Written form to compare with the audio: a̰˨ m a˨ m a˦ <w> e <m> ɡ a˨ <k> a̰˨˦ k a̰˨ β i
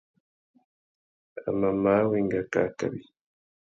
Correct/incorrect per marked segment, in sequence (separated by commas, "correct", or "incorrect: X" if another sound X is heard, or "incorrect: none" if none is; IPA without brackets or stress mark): correct, incorrect: ŋ, correct